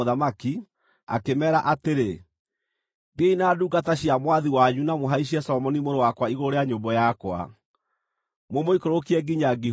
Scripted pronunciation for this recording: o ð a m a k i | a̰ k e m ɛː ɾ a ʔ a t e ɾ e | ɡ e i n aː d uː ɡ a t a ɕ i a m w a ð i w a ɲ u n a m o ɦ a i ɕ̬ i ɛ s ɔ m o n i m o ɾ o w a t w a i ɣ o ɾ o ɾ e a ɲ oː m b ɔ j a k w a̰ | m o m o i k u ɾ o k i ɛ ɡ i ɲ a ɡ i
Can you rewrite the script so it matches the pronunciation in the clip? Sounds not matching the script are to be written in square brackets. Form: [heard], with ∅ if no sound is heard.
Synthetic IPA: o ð a m a k i | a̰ k e m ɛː ɾ a ʔ a t e ɾ e | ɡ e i n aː d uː ɡ a t a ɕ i a m w a ð i w a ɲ u n a m o ɦ a i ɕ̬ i ɛ s ɔ m [ɔ] n i m o ɾ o w a [k] w a i ɣ o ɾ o ɾ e a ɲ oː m b ɔ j a k w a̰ | m o m o i k [o] ɾ o k i ɛ ɡ i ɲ a ɡ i